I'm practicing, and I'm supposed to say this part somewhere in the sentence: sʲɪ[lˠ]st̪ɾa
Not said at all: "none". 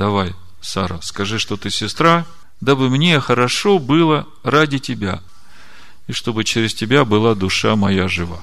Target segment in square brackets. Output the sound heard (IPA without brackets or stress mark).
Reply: none